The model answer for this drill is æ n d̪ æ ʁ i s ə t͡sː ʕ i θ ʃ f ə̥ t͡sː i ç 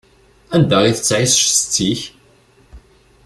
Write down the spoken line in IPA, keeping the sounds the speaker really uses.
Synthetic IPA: æ n d̪ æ ʁ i θ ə t͡sː ʕ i s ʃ s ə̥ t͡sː i ç